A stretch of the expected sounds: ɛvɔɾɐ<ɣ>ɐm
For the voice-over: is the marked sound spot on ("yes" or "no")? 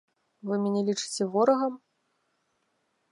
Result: yes